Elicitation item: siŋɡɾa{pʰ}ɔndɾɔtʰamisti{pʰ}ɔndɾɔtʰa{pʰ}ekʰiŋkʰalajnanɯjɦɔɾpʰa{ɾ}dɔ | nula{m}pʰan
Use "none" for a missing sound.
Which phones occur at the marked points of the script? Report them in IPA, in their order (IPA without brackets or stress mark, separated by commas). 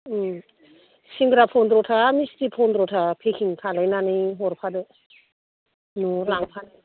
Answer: pʰ, pʰ, pʰ, none, ŋ